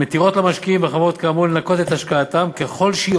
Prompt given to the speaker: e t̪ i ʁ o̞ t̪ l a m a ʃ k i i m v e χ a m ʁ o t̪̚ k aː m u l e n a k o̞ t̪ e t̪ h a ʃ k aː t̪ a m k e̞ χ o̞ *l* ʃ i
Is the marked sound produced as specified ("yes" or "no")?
yes